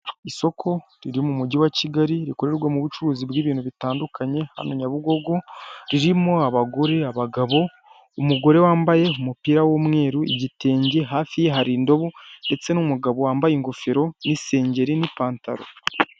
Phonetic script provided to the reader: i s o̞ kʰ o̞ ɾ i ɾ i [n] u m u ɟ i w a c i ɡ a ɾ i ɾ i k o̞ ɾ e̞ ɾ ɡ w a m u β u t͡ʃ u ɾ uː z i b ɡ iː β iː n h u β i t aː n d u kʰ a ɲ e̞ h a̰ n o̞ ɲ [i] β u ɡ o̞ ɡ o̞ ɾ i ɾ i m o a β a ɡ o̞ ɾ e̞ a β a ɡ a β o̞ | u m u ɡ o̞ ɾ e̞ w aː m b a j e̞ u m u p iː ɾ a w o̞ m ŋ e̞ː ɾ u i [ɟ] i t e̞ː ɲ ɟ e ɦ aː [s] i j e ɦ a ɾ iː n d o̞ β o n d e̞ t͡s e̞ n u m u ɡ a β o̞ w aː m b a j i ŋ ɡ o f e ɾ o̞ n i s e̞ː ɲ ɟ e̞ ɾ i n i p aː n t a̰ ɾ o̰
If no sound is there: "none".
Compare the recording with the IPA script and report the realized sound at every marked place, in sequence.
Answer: m, a, ɟ, f

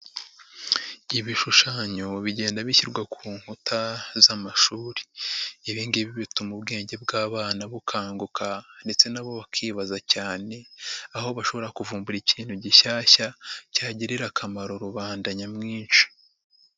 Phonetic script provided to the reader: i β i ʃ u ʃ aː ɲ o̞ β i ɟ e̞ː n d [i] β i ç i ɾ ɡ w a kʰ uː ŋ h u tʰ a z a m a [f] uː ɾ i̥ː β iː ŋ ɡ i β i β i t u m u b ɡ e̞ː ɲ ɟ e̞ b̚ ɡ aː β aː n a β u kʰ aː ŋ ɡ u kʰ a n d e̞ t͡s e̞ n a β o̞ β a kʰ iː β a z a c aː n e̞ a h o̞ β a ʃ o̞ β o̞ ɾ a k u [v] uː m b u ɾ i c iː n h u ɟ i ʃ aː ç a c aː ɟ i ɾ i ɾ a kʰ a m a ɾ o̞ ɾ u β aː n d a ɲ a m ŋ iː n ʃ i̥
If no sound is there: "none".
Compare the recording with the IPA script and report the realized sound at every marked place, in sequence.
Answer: a, ʃ, v

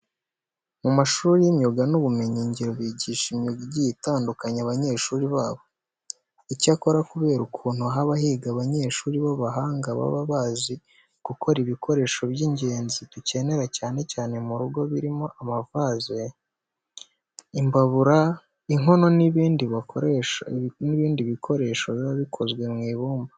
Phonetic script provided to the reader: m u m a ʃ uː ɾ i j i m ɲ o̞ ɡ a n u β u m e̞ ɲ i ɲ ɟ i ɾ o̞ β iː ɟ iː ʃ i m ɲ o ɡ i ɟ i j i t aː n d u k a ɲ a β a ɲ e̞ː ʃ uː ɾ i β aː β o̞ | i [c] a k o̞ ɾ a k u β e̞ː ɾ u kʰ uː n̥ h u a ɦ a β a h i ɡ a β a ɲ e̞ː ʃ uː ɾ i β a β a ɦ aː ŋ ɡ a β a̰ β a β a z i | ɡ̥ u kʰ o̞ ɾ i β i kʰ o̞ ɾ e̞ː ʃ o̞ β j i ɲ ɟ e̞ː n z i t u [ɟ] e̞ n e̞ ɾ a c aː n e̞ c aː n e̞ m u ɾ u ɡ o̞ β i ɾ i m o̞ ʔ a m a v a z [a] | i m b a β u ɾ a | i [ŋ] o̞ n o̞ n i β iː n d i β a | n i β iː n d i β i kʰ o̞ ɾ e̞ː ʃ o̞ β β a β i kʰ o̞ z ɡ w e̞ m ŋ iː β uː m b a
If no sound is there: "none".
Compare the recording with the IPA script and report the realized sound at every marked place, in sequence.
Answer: c, c, e, ŋ

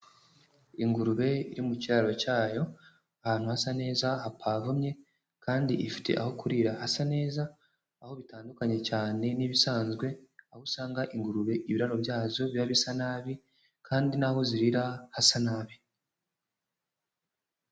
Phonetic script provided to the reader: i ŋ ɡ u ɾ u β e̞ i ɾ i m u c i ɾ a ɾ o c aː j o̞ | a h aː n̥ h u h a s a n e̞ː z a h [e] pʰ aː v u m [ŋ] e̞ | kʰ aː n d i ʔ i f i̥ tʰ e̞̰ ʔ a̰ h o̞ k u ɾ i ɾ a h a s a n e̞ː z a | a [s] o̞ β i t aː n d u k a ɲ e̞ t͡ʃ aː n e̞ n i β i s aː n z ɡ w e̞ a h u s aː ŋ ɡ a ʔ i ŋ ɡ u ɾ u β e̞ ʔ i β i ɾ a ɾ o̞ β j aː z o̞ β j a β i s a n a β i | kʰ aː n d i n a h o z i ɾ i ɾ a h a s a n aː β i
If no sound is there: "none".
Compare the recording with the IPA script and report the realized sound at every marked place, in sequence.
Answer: a, ɲ, h

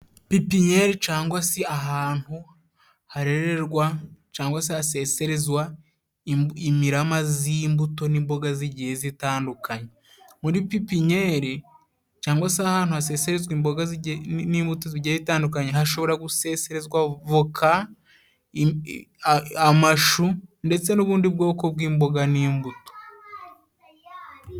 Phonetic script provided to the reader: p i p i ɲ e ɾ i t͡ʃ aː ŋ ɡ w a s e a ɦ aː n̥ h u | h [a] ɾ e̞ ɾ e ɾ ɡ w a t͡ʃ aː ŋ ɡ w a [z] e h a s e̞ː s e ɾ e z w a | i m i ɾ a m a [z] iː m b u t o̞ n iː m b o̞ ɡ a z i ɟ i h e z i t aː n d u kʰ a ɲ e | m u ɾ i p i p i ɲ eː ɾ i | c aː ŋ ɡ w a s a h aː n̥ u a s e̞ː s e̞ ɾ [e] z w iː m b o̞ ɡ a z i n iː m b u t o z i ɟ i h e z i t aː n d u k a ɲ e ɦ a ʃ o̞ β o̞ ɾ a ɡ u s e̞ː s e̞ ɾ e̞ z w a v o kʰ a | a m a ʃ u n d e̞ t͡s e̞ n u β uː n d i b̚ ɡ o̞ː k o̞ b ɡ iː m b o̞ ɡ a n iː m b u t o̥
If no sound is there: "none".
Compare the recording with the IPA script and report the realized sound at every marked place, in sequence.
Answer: a, s, z, e

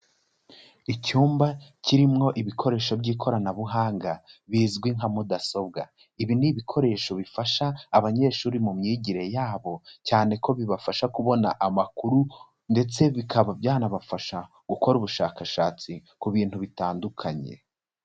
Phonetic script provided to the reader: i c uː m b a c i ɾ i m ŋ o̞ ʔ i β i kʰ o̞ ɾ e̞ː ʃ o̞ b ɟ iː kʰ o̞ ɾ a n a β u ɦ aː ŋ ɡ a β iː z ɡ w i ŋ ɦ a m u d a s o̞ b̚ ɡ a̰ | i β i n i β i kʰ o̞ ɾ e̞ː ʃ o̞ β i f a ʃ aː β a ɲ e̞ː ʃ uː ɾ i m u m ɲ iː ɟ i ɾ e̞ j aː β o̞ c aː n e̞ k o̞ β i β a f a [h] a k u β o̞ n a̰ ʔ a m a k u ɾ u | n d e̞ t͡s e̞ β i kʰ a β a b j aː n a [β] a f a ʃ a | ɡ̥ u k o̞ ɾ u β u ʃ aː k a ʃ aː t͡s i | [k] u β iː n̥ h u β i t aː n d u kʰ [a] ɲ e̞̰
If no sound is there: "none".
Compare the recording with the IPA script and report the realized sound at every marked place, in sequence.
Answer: ʃ, β, k, a

